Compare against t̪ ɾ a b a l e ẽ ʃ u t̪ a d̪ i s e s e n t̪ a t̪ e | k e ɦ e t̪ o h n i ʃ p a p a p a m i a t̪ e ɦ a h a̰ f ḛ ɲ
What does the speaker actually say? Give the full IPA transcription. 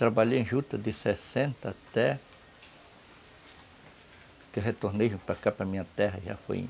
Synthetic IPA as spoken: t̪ ɾ a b a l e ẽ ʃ u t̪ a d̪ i s e s e n t̪ a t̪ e | k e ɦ e t̪ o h n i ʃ p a k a p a m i a t̪ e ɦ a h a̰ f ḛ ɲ